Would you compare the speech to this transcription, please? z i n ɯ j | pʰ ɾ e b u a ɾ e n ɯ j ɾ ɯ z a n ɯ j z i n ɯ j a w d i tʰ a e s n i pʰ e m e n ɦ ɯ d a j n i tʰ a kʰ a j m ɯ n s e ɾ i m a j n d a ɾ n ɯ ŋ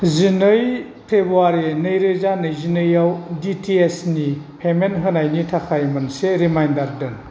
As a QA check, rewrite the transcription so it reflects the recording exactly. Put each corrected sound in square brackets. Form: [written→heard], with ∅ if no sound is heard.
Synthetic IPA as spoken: z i n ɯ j | pʰ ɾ e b u a ɾ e n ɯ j ɾ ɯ z a n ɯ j z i n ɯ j a w d i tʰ [a→i] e s n i pʰ e m e n ɦ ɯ [d→n] a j n i tʰ a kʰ a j m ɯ n s e ɾ i m a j n d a ɾ [n→d] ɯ [ŋ→n]